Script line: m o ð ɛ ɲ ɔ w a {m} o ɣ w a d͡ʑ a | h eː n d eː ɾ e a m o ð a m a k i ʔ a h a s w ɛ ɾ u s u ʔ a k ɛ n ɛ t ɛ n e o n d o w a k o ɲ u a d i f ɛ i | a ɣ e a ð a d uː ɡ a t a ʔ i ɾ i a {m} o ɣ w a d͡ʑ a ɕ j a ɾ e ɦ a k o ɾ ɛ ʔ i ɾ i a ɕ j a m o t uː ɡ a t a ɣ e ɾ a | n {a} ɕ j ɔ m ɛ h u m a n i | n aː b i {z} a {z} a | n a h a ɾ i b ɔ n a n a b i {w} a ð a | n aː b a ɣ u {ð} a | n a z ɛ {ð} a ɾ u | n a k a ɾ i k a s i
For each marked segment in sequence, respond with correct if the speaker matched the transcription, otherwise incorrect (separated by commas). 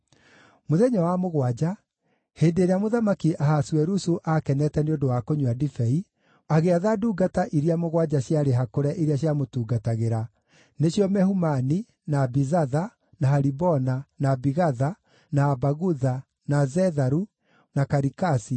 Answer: correct, correct, incorrect, correct, incorrect, incorrect, correct, correct